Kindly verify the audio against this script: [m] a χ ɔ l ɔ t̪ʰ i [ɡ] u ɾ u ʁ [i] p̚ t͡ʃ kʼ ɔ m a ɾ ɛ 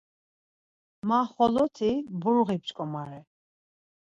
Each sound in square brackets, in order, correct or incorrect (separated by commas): correct, incorrect, correct